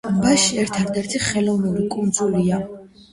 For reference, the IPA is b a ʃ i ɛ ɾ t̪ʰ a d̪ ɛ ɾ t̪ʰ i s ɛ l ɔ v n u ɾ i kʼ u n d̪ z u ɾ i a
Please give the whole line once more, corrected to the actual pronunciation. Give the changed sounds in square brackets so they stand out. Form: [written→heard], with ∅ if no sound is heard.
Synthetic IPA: b a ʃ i ɛ ɾ t̪ʰ a d̪ ɛ ɾ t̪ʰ i [s→χ] ɛ l ɔ v n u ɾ i kʼ u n d̪ z u [ɾ→l] i a